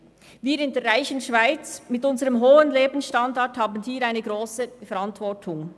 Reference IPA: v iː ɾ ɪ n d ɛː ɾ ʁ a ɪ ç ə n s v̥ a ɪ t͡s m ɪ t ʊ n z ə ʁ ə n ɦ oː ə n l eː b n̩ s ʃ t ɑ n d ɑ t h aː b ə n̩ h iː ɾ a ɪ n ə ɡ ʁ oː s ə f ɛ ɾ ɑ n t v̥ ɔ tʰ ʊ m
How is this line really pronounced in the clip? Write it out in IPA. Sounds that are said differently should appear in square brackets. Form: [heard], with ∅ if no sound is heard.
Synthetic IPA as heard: v iː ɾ ɪ n d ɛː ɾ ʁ a ɪ ç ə n [ʃ] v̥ a ɪ t͡s m ɪ t ʊ n z ə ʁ ə [m] ɦ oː ə n l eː b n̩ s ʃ t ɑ n d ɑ t h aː b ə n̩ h iː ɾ a ɪ n ə ɡ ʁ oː s ə f ɛ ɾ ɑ n t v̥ ɔ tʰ ʊ [ŋ]